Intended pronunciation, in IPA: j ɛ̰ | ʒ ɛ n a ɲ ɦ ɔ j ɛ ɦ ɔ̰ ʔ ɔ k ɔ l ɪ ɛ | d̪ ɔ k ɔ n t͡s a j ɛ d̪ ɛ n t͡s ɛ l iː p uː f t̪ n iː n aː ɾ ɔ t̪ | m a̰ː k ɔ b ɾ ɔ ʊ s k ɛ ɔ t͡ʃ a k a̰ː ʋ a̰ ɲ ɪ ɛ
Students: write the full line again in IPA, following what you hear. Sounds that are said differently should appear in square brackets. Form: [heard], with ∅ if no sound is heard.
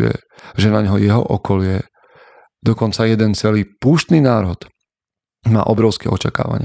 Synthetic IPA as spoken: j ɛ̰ | ʒ ɛ n a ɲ ɦ ɔ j ɛ ɦ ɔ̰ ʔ ɔ k ɔ l ɪ ɛ | d̪ ɔ k ɔ n t͡s a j ɛ d̪ ɛ n t͡s ɛ l iː p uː [ʃ] t̪ n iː n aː ɾ ɔ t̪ | m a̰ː [ʔ] ɔ b ɾ ɔ ʊ s k ɛ ɔ t͡ʃ a k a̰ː ʋ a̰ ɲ ɪ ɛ